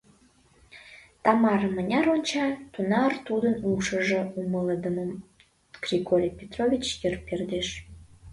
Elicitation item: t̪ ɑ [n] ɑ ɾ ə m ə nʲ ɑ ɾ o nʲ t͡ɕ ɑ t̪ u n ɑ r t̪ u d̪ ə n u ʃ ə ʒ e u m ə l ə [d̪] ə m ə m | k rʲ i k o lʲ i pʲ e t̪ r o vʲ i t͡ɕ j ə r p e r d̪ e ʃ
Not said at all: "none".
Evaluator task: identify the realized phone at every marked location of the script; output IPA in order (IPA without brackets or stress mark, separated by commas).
m, d̪